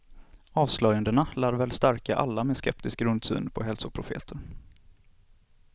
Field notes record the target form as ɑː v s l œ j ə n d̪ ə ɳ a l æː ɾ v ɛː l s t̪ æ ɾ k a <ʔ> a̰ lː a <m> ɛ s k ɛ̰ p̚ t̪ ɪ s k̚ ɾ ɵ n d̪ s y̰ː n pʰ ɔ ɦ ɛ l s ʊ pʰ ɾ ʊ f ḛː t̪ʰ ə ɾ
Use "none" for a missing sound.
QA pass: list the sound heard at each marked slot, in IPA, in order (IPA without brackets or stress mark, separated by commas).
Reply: ʔ, m